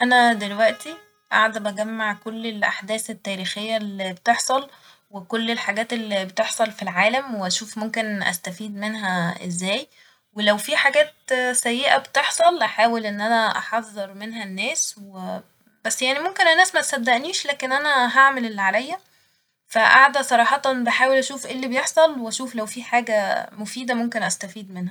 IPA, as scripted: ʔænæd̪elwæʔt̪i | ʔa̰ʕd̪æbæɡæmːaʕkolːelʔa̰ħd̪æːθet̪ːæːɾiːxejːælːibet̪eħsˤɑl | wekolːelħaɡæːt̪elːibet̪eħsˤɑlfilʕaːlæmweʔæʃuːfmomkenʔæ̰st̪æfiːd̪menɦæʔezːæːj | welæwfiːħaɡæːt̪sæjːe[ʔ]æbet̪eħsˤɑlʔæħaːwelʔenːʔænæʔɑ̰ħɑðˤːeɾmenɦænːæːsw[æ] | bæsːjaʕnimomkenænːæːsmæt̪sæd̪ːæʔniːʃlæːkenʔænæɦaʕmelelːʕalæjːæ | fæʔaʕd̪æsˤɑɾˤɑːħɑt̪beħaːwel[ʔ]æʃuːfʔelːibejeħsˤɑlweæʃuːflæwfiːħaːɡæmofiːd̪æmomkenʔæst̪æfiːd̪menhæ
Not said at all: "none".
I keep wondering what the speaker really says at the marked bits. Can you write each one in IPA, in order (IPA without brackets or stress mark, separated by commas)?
ʔ, e, ʔ